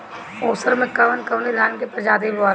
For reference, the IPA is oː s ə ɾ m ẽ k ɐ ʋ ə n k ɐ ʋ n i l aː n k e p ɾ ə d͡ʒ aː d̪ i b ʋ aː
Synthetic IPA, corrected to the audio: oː s ə ɾ m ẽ k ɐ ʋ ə n k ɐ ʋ n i l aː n k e p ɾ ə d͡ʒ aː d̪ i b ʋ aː